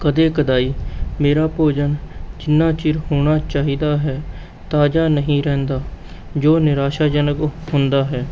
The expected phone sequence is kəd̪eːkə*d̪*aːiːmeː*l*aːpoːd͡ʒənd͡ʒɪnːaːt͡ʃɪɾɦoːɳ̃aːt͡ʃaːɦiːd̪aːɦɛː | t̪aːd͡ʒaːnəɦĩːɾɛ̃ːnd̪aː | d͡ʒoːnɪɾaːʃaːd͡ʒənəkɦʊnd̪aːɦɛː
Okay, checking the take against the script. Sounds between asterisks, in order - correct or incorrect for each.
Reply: correct, incorrect: ɾ

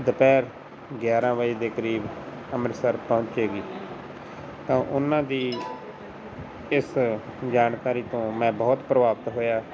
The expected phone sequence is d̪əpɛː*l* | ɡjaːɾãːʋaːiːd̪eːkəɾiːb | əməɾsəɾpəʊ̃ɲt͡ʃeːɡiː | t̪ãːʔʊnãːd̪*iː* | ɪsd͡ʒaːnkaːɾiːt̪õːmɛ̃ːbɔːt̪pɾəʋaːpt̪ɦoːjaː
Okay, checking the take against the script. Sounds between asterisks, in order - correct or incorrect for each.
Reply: incorrect: ɾ, correct

